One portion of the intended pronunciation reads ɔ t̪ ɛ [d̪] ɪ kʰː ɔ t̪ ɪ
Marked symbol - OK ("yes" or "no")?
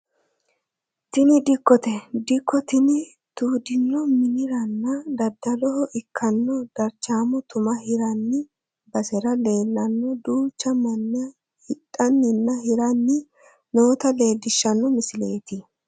yes